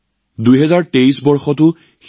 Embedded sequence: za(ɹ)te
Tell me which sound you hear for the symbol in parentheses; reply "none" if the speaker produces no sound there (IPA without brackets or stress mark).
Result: ɹ